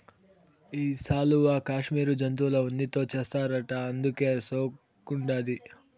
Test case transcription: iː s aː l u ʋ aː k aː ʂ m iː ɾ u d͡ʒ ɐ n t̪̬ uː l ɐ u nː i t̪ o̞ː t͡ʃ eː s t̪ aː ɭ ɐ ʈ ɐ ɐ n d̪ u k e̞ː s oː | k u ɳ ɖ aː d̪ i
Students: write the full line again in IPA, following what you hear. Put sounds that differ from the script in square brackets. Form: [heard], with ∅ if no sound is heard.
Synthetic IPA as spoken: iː s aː l u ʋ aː k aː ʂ m iː ɾ u d͡ʒ ɐ n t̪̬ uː l ɐ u nː i t̪ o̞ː t͡ʃ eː s t̪ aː [ɾ] ɐ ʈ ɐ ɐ n d̪ u k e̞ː s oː | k u ɳ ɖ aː d̪ i